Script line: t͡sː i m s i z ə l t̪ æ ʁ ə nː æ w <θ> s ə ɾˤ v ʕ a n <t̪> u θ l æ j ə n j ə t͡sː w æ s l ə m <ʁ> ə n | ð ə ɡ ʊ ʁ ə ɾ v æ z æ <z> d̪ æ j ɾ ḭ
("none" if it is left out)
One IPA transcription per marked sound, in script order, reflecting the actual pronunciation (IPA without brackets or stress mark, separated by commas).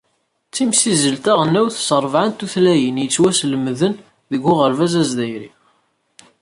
θ, t̪, ð, z